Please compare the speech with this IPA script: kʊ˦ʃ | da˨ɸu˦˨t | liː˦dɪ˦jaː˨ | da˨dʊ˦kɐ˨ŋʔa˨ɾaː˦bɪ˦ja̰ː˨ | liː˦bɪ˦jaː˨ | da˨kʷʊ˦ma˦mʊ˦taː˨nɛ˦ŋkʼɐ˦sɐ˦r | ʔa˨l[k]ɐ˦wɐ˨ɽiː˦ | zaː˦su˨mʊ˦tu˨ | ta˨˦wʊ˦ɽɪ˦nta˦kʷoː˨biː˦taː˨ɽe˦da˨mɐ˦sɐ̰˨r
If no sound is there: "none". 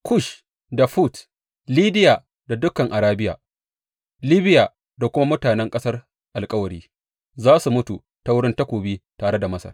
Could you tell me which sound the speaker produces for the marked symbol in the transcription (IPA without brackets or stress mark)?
kʼ